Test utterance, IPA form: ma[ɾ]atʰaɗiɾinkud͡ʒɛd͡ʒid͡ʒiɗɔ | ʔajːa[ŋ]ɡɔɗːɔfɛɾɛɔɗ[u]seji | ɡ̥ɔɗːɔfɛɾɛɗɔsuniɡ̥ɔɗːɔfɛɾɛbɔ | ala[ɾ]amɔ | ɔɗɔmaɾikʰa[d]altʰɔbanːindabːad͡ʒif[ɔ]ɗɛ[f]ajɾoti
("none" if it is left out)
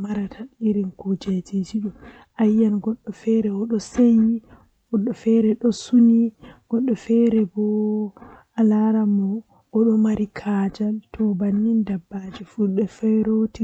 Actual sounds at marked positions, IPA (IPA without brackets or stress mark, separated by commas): ɾ, n, ɔ, ɾ, d͡ʒ, u, f